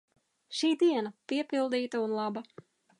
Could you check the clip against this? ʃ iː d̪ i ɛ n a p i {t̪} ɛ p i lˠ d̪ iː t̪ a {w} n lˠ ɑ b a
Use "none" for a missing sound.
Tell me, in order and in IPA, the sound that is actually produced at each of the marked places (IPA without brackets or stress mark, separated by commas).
none, u